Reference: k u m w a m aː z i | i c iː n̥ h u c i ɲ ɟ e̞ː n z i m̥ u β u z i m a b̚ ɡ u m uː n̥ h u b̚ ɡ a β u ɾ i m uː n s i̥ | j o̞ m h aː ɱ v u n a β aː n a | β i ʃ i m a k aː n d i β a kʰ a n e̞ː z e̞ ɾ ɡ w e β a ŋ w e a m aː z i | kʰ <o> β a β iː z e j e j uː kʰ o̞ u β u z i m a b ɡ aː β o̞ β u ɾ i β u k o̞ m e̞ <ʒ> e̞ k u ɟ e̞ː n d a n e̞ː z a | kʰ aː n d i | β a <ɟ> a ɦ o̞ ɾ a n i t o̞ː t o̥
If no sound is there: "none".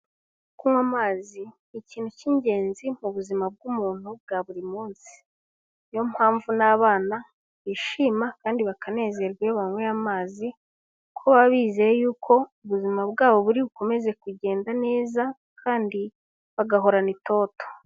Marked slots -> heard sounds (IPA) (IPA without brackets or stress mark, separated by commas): o, z, ɡ